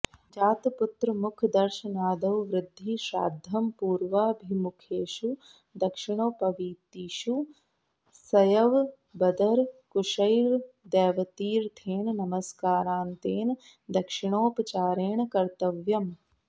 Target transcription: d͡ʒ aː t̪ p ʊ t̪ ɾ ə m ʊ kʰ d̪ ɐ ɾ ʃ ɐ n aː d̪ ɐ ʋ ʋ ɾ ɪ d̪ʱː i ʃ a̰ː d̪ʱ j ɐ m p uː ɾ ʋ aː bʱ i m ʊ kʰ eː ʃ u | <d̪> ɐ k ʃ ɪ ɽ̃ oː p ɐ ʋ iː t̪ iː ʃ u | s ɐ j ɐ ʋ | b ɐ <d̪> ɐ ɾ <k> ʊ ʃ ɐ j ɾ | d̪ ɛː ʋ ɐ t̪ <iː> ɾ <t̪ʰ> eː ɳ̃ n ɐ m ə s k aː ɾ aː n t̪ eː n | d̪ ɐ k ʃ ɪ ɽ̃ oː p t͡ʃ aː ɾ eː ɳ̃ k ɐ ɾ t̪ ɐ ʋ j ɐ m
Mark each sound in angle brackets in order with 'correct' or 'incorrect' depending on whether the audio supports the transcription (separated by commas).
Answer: correct, correct, correct, correct, correct